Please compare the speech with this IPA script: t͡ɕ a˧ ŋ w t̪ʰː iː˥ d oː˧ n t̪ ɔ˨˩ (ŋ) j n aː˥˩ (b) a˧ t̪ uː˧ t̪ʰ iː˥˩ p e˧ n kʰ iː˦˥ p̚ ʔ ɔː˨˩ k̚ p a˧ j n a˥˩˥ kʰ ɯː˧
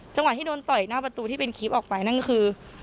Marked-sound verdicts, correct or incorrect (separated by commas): incorrect, incorrect